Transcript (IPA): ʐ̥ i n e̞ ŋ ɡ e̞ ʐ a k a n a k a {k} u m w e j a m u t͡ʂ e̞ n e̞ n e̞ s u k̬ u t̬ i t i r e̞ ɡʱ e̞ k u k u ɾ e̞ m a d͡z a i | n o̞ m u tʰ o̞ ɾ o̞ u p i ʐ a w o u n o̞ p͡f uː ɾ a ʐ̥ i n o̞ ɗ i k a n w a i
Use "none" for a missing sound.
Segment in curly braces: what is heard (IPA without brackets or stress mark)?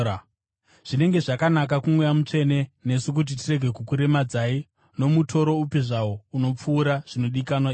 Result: k